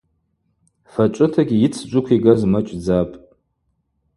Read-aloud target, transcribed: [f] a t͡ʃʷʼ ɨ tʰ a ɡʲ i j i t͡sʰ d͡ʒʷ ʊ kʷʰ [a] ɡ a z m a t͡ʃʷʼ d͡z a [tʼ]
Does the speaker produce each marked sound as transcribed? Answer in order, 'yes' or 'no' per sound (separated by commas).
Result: yes, no, no